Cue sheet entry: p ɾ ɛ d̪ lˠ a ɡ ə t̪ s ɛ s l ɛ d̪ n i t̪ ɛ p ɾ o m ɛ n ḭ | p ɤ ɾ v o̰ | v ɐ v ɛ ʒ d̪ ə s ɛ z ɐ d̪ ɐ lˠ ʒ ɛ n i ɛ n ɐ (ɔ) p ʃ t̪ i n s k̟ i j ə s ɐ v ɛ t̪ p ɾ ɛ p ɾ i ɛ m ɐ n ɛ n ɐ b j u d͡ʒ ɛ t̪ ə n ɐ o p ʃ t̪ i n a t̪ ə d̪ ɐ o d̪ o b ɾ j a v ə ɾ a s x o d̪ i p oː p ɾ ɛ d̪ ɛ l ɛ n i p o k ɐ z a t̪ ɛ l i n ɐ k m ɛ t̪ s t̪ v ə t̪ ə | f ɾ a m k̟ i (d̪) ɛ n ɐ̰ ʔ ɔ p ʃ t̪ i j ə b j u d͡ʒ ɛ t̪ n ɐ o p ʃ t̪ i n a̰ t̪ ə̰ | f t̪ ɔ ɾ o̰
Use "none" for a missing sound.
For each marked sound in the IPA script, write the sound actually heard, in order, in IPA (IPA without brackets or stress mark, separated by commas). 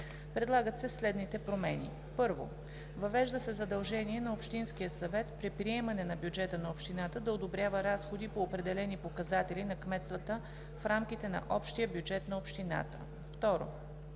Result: o, t̪